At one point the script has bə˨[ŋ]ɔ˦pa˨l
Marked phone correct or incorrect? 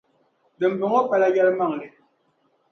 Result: correct